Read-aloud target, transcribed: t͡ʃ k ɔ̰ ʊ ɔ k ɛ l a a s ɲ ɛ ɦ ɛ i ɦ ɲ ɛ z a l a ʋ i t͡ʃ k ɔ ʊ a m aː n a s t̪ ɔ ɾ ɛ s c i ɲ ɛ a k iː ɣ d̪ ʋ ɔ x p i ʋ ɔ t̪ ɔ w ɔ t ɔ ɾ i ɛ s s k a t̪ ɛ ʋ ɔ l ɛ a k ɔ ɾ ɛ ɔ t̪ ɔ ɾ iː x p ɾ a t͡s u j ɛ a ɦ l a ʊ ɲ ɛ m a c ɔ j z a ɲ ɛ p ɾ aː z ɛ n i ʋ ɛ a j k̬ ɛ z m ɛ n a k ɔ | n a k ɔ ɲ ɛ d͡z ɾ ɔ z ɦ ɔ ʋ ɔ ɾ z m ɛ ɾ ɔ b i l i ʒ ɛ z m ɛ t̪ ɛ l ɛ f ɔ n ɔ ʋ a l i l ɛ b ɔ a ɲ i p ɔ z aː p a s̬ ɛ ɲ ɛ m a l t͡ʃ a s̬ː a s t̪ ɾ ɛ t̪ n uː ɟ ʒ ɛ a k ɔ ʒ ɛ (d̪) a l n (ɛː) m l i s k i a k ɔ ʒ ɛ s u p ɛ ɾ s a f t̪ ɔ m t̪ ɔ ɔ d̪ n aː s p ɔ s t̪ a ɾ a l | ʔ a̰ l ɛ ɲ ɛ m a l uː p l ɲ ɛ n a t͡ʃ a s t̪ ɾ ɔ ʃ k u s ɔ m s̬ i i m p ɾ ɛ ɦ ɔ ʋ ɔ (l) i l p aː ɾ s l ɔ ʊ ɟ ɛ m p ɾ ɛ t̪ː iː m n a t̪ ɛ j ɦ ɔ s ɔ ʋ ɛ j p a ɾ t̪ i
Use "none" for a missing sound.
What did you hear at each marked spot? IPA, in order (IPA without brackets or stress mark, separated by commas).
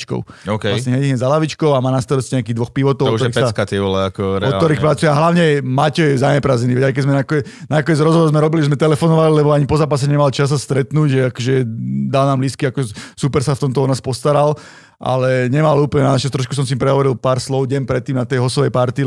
d̪, aː, ɾ